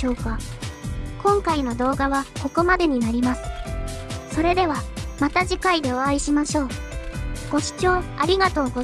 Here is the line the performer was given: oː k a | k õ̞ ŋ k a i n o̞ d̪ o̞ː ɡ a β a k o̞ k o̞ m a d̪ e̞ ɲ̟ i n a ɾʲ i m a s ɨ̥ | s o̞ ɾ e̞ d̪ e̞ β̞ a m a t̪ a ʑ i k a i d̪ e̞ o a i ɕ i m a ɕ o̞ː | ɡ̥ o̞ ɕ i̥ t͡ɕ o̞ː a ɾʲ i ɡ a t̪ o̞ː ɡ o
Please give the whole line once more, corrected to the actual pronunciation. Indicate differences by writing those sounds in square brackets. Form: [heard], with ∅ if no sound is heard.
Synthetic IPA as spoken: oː k a | k õ̞ ŋ k a i n o̞ d̪ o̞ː ɡ a β a k o̞ k o̞ m a d̪ e̞ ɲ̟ i n a ɾʲ i m a s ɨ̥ | s o̞ ɾ e̞ d̪ e̞ β̞ a m a t̪ a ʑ i k a i d̪ e̞ o a i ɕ i m a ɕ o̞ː | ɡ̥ o̞ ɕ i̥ t͡ɕ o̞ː a ɾʲ i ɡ a t̪ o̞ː ɡ o